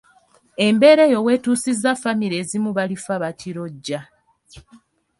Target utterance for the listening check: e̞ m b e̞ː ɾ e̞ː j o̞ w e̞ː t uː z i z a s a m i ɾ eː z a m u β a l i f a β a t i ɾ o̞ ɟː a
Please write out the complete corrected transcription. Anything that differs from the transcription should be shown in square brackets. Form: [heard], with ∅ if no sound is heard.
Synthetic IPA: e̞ m b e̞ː ɾ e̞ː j o̞ w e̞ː t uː [s] i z a [f] a m i ɾ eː z [i] m u β a l i f a β a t i ɾ o̞ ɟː a